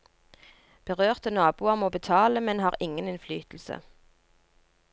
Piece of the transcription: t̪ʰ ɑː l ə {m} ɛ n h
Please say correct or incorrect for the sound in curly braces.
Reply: correct